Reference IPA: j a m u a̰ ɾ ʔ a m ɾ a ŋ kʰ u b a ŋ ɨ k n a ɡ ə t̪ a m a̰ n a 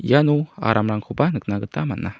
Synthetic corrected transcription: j a n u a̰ ɾ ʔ a m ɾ a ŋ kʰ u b a n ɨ k n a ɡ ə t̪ a m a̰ n a